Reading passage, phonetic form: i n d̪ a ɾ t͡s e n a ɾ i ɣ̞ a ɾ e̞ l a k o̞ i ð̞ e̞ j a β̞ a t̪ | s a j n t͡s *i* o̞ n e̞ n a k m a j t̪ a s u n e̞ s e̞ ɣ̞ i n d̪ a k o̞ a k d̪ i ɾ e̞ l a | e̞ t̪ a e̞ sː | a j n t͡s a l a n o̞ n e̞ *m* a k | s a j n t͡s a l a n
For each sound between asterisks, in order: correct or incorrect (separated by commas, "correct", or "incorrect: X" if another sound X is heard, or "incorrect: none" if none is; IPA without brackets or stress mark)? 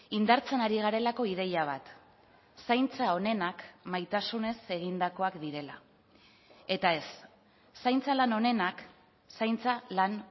incorrect: a, incorrect: n